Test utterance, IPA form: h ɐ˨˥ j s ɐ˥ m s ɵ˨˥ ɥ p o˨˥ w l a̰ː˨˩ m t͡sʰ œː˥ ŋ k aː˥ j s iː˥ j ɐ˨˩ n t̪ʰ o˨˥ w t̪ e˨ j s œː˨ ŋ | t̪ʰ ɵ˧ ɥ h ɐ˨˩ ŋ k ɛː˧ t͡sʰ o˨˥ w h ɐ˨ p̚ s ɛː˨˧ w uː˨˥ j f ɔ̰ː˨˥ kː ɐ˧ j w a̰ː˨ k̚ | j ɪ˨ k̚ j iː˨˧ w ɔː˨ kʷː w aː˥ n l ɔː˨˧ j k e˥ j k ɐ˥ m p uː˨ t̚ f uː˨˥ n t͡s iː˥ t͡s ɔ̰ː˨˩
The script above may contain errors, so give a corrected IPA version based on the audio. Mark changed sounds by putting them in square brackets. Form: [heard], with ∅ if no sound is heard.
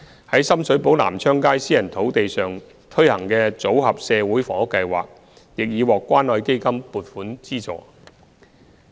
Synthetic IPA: h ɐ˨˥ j s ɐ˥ m s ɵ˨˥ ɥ p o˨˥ w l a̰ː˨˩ m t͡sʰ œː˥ ŋ k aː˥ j s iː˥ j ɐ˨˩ n t̪ʰ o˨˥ w t̪ e˨ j s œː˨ ŋ | t̪ʰ [ɵ˥] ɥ h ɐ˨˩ ŋ k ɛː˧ [t͡s] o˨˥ w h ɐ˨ p̚ s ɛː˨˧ w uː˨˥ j f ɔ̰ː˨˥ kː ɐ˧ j w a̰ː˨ k̚ | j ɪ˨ k̚ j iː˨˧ w ɔː˨ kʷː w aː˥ n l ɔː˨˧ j k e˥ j k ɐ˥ m p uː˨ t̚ f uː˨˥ n t͡s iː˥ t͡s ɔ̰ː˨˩